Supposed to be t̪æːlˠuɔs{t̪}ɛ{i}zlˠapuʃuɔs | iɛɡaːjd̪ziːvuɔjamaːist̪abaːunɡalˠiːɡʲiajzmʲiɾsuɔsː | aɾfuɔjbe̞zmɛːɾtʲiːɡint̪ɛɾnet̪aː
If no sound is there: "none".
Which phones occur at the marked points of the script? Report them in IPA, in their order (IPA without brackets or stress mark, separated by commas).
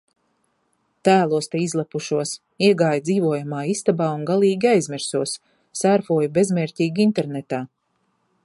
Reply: t̪, i